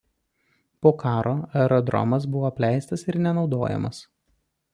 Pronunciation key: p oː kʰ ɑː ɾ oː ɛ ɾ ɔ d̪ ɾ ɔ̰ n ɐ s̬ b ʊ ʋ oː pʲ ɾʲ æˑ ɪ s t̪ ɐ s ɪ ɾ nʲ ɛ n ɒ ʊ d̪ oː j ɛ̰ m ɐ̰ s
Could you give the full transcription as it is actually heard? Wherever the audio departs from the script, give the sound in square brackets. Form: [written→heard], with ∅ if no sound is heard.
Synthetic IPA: p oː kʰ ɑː ɾ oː ɛ ɾ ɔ d̪ ɾ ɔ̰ [n→m] ɐ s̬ b ʊ ʋ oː pʲ [ɾʲ→lʲ] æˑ ɪ s t̪ ɐ s ɪ ɾ nʲ ɛ n ɒ ʊ d̪ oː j ɛ̰ m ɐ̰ s